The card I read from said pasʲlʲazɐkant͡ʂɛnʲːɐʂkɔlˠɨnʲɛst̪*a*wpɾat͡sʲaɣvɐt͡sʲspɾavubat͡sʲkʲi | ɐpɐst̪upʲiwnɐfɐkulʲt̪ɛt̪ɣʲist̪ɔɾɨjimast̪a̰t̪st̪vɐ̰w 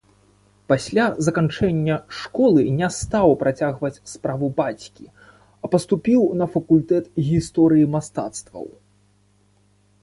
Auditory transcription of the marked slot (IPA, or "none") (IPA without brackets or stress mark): a